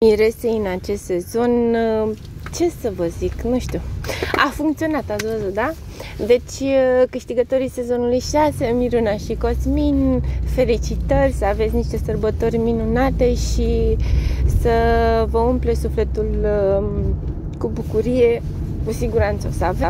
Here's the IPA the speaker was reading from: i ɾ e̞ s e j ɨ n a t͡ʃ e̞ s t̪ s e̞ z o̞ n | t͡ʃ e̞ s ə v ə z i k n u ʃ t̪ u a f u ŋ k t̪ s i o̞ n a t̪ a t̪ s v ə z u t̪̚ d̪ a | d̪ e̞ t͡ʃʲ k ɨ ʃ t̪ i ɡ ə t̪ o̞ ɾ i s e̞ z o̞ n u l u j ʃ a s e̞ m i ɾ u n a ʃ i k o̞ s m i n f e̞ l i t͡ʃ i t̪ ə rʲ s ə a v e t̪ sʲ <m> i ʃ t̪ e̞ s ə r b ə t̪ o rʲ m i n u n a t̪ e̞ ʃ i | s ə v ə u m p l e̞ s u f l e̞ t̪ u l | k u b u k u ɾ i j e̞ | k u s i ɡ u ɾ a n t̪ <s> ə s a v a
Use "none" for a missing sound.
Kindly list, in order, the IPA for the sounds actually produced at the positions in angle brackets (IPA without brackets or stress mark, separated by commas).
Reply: n, s